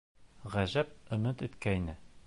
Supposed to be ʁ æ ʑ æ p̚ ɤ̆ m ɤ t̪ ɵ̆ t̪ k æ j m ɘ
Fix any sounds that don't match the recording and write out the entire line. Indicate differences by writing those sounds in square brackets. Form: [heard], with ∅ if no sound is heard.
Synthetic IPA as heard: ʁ æ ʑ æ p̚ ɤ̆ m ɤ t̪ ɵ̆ t̪ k æ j [n] ɘ